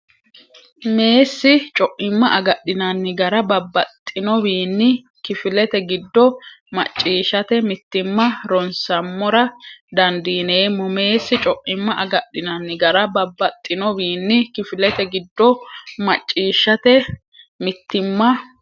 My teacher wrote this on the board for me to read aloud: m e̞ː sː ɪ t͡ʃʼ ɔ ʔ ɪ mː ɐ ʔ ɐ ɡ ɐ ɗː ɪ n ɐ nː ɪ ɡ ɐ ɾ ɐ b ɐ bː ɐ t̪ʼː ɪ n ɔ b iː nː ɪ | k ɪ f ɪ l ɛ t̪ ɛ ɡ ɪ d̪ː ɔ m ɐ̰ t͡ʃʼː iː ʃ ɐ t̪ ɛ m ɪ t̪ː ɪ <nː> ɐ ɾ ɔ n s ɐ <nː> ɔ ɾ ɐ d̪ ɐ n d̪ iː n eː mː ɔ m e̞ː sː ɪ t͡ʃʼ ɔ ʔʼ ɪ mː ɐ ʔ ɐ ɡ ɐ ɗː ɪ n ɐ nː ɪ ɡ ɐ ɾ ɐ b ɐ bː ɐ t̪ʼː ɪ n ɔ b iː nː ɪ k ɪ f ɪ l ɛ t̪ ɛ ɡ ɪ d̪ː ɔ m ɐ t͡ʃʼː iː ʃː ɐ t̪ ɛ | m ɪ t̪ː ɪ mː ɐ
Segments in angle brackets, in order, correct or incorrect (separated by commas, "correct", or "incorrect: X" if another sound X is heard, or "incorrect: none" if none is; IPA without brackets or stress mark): incorrect: mː, incorrect: mː